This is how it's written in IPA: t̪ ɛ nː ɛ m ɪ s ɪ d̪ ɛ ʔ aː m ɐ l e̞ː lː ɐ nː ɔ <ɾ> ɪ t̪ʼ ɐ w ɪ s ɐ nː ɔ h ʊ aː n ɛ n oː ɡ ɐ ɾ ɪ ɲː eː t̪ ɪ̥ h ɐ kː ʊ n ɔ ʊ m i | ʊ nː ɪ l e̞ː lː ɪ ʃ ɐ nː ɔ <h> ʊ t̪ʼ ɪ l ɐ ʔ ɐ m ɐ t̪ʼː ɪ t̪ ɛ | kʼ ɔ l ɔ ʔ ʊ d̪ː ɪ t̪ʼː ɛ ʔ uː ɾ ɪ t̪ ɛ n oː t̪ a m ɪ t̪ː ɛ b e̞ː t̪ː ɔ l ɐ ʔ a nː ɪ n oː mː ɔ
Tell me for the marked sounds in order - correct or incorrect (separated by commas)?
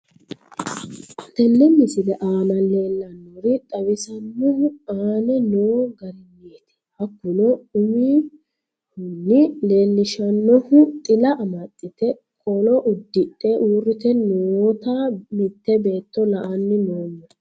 correct, correct